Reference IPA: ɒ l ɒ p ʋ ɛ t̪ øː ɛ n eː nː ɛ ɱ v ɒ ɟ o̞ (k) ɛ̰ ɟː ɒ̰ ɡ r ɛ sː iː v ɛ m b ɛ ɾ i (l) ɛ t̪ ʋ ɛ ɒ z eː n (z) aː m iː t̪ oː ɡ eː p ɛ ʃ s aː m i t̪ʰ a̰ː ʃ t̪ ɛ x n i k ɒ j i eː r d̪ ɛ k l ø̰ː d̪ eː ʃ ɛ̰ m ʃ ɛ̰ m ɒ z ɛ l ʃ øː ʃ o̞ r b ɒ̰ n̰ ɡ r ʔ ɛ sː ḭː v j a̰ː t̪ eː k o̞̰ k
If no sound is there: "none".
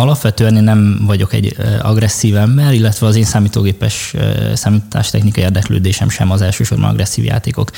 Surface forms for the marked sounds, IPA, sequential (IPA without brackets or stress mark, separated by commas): k, lː, s